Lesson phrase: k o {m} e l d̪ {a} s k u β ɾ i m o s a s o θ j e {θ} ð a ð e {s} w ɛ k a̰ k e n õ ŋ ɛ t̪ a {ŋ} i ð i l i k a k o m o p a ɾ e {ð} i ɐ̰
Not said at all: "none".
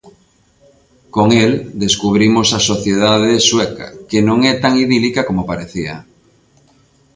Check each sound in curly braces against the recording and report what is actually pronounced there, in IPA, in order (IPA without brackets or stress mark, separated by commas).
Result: ŋ, e, none, s, ŋ, θ